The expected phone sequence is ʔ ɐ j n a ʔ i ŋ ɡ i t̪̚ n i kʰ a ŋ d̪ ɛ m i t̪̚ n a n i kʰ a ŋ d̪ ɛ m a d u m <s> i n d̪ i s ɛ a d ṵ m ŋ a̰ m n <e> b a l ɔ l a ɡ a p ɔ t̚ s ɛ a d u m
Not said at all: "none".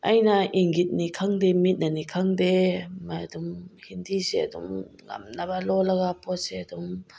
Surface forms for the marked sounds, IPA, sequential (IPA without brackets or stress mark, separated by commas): h, a